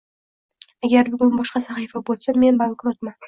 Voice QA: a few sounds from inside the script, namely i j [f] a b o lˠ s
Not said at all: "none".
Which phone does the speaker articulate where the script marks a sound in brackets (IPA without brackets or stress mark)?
f